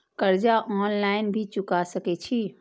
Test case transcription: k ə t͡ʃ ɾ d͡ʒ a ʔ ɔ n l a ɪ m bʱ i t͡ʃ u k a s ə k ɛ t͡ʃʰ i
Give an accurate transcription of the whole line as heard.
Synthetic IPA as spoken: k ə ɾ d͡ʒ a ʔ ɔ n l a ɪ n bʱ i t͡ʃ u k a s ə k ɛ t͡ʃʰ i